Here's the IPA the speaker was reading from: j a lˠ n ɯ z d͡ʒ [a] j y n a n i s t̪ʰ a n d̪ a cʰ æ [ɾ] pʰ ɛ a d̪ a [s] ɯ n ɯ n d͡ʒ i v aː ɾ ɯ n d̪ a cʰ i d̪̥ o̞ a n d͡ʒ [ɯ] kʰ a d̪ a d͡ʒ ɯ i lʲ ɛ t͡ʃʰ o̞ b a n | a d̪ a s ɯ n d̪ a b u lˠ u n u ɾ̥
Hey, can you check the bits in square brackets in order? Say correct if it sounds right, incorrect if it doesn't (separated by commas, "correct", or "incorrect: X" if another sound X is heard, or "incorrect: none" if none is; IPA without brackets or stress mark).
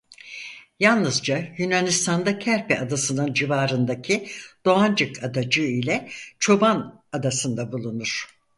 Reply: correct, correct, correct, correct